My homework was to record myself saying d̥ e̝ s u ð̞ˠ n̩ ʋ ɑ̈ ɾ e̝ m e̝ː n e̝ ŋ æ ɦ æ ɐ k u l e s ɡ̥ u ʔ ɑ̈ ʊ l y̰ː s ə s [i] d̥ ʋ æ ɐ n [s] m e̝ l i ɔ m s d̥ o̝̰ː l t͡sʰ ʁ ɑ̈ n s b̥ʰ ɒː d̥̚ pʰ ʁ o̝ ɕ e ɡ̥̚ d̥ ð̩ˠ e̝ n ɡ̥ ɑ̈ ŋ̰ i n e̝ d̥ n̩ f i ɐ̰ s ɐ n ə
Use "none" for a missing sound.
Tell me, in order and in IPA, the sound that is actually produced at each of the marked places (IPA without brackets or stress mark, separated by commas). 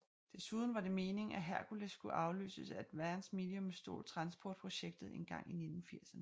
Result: æ, s